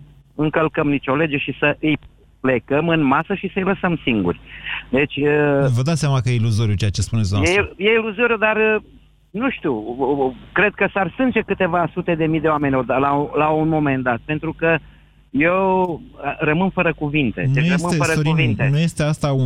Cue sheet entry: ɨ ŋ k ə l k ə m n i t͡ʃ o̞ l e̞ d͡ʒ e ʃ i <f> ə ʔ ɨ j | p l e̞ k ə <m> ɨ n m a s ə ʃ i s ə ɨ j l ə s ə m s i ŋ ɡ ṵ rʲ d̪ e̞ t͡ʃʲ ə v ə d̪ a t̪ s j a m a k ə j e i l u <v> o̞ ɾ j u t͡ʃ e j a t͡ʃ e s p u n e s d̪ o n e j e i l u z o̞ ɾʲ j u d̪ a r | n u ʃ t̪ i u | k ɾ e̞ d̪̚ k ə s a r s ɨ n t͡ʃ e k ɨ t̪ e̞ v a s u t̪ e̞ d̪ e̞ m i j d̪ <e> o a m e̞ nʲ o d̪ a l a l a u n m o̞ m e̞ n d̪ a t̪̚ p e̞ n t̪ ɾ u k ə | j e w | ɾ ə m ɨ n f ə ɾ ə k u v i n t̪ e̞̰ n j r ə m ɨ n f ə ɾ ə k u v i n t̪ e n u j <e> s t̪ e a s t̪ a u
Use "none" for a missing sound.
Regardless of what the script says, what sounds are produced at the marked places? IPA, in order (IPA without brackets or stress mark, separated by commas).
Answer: s, m, z, e, e